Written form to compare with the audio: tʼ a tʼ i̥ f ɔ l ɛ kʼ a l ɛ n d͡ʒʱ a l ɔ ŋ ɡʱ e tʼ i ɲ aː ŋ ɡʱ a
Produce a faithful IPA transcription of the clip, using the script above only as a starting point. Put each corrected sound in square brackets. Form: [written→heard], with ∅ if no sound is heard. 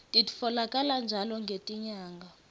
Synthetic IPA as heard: tʼ [a→i] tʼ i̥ f ɔ l [ɛ→a] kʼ a l [ɛ→a] n d͡ʒʱ a l ɔ ŋ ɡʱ e tʼ i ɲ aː ŋ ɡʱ a